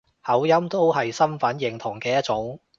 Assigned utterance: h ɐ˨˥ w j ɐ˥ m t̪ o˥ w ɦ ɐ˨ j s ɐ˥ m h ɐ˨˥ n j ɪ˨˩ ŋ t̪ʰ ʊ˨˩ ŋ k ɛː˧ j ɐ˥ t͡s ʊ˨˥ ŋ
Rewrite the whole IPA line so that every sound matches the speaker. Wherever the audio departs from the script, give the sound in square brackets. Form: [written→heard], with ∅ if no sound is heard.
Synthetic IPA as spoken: h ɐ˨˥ w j ɐ˥ m t̪ o˥ w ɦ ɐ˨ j s ɐ˥ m [h→f] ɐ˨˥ n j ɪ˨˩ ŋ t̪ʰ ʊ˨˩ ŋ k ɛː˧ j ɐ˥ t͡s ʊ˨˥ ŋ